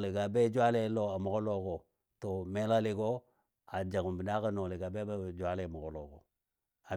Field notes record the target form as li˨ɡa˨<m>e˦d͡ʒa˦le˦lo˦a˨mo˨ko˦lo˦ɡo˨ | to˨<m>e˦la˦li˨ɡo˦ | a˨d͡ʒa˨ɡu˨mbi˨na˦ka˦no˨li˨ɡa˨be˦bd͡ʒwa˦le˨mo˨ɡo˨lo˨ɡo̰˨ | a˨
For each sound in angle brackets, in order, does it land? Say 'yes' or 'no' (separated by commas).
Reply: no, yes